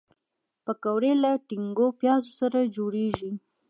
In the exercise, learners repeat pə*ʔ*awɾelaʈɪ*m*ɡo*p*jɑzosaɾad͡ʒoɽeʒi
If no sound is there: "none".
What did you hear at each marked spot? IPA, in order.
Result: k, ŋ, p

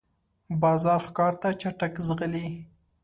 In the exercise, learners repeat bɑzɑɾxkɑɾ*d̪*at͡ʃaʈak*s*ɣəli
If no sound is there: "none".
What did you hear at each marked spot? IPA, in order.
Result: t̪, z

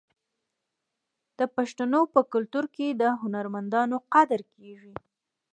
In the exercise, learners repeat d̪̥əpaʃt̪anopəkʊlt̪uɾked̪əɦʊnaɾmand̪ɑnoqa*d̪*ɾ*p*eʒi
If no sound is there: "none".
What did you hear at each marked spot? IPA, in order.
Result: d̪, k

